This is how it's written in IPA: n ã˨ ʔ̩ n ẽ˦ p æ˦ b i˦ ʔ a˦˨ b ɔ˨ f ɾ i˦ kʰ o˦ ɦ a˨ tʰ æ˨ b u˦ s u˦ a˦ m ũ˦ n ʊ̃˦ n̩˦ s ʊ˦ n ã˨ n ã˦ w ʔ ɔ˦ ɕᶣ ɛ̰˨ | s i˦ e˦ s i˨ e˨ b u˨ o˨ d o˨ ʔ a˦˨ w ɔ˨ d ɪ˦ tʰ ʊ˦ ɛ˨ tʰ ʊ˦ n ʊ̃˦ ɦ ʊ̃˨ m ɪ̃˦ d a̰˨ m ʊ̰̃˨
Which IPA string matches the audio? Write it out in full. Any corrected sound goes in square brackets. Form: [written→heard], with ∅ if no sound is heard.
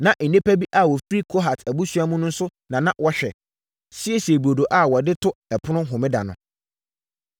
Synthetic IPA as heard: n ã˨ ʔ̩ n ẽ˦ p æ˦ b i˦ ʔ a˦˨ [b→w] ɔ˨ f ɾ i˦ kʰ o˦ ɦ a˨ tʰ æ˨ b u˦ s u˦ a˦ m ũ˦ n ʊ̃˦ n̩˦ s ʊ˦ n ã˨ n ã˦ w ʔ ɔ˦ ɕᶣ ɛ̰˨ | s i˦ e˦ s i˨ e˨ b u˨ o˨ d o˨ ʔ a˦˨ w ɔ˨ d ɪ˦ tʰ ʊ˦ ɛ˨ [tʰ→pʰ] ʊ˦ n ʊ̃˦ ɦ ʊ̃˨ m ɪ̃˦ d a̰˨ [m→n] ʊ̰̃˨